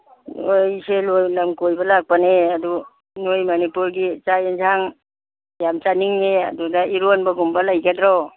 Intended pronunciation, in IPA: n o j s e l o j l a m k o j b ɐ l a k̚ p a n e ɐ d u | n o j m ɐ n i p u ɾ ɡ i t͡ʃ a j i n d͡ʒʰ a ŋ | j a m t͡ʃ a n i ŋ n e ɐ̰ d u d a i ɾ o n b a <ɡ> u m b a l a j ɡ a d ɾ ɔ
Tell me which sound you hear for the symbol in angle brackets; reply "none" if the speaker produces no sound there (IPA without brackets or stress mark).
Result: ɡ